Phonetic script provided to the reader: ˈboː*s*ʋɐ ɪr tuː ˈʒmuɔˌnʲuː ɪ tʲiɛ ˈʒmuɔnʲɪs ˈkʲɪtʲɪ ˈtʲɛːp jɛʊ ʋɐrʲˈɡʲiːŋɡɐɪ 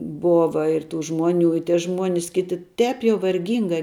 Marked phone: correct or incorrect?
incorrect: none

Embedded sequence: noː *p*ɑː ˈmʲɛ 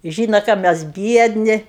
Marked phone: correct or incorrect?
incorrect: k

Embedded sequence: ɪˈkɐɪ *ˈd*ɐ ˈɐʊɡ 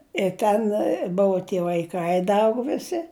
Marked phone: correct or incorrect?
correct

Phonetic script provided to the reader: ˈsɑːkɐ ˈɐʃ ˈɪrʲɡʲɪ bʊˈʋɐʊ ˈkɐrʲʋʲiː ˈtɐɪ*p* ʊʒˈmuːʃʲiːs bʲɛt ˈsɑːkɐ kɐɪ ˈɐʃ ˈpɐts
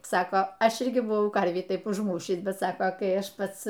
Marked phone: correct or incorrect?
correct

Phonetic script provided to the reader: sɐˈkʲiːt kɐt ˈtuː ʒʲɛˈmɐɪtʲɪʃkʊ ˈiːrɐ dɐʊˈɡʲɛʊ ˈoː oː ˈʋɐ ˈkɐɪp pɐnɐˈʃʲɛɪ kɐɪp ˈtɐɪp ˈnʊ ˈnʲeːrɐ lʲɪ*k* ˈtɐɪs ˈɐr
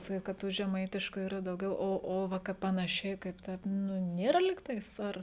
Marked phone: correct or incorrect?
correct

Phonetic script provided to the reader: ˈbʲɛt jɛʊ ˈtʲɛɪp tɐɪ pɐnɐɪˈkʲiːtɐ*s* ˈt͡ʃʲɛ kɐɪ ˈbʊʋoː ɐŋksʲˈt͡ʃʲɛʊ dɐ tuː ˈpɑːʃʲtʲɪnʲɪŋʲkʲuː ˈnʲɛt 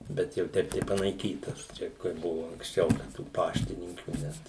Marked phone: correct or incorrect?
correct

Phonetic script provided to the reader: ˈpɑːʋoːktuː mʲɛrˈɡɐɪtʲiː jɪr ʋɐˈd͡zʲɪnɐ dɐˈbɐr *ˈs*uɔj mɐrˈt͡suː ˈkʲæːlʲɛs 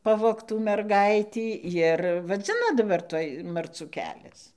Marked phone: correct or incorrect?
incorrect: t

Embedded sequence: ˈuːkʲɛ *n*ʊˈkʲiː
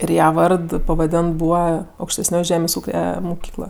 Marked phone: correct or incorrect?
incorrect: m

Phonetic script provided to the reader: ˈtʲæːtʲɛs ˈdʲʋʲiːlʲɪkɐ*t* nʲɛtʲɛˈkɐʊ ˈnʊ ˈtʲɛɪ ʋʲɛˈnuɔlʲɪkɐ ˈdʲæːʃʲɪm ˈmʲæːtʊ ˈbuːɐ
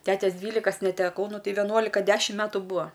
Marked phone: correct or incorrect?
incorrect: s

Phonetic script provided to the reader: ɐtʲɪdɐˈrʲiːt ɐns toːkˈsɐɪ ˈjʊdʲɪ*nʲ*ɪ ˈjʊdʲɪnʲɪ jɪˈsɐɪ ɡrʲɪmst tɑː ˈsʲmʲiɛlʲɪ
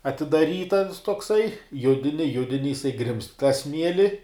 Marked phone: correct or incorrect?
correct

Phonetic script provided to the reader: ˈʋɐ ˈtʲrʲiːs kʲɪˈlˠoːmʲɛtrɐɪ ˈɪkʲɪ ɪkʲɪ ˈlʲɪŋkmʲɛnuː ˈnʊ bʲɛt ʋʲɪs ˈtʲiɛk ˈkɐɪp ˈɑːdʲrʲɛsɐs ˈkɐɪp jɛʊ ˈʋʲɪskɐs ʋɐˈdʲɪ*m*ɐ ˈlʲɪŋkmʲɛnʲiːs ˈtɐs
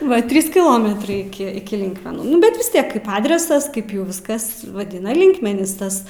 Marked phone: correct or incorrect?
incorrect: n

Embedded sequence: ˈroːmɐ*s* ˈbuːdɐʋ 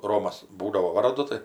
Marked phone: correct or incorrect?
correct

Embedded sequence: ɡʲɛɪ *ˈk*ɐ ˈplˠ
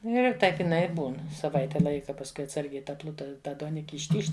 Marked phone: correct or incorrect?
incorrect: t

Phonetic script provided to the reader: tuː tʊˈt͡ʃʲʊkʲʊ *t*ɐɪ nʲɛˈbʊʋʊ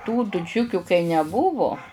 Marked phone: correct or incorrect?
incorrect: k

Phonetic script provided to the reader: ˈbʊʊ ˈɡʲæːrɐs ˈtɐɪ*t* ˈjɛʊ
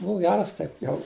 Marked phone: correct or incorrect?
incorrect: p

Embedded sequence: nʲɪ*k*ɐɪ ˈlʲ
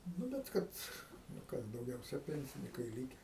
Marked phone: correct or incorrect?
correct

